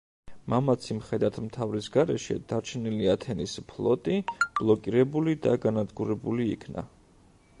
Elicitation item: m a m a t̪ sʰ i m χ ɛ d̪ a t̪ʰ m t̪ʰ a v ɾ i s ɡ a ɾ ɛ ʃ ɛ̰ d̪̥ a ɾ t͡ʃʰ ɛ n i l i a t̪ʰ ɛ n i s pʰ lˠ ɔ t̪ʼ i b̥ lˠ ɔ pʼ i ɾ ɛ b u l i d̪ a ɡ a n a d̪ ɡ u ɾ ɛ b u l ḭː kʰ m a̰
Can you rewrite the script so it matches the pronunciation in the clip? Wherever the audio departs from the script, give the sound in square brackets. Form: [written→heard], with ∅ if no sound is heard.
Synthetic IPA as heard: m a m a t̪ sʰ i m χ ɛ d̪ a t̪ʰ m t̪ʰ a v ɾ i s ɡ a ɾ ɛ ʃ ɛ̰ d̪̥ a ɾ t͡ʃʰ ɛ n i l i a t̪ʰ ɛ n i s pʰ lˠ ɔ t̪ʼ i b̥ lˠ ɔ [pʼ→kʼ] i ɾ ɛ b u l i d̪ a ɡ a n a d̪ ɡ u ɾ ɛ b u l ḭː kʰ [m→n] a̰